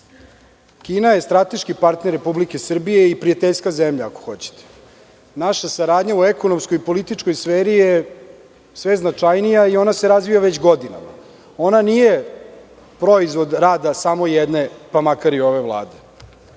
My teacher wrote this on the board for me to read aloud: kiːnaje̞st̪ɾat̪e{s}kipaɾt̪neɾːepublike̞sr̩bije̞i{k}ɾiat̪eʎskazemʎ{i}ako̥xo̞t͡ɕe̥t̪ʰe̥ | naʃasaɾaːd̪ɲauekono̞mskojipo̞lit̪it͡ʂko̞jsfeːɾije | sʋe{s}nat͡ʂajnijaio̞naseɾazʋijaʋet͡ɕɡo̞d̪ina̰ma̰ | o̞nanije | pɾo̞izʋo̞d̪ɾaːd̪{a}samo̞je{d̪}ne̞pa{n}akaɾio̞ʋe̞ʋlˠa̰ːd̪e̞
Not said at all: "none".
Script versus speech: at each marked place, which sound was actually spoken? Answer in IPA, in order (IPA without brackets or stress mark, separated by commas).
ʃ, p, a, z, a, d̪, m